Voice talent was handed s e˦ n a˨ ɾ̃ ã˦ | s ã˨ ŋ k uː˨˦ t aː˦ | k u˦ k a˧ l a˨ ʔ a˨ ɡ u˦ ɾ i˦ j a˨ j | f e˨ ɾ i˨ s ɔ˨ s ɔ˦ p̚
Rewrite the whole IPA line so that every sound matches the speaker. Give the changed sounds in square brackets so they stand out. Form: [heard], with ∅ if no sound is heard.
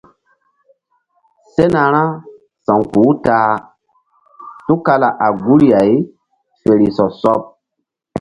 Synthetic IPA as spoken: s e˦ n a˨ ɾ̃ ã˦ | s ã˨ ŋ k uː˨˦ t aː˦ | [t] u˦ k a˧ l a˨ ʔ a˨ ɡ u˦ ɾ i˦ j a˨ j | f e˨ ɾ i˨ s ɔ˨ s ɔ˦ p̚